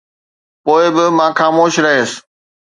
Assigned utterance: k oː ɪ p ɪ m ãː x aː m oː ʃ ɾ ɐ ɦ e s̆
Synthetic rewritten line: p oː ɪ b ɪ m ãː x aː m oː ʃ ɾ ɐ ɦ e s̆